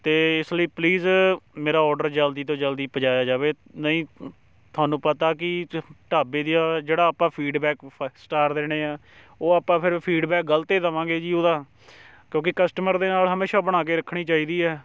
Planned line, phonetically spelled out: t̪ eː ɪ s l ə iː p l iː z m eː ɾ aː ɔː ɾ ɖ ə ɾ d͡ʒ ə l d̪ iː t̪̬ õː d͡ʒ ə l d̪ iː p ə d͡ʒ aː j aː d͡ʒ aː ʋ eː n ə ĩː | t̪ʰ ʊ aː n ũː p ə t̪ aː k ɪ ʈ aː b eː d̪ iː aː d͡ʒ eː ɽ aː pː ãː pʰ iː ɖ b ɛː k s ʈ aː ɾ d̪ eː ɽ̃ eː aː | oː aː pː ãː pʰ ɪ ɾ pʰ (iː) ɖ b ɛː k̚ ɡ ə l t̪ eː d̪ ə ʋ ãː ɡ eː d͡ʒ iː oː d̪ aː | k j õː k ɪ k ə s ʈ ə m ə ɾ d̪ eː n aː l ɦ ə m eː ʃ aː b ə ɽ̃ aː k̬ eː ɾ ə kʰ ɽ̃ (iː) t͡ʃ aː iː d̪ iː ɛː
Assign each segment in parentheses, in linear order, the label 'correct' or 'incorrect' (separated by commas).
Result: correct, correct